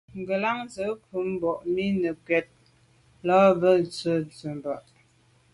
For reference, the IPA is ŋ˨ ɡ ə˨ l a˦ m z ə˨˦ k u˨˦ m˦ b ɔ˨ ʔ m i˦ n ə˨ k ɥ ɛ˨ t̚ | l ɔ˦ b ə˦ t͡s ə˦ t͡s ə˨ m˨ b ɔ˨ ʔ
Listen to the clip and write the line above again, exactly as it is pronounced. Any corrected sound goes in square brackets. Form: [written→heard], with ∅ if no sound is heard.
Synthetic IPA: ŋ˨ ɡ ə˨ l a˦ [m→ŋ] z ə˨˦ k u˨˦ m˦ b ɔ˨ ʔ m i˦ n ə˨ k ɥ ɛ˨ t̚ | l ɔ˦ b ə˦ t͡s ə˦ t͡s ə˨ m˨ b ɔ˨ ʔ